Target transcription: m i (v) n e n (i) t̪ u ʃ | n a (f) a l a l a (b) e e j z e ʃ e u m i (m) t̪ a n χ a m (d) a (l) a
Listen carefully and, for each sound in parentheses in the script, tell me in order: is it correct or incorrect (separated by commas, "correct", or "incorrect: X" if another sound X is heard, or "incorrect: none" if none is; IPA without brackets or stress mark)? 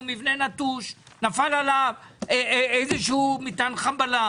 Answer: correct, incorrect: a, correct, incorrect: v, incorrect: none, incorrect: b, correct